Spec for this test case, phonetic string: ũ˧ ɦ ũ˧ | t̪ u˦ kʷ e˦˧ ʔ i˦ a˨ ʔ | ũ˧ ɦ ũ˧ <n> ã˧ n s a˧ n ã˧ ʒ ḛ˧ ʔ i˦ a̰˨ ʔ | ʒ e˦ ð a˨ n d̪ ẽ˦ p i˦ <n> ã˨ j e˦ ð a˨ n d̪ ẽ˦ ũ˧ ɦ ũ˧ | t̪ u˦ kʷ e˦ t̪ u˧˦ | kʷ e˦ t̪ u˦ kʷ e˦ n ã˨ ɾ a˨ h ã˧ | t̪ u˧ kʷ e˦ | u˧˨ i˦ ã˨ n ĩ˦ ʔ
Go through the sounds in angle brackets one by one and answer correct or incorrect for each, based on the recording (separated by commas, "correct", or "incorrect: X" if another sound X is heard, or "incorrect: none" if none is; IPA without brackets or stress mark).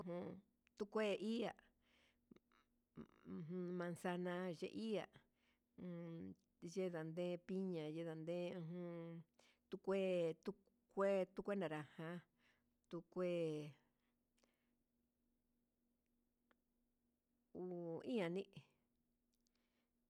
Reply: incorrect: m, incorrect: ɲ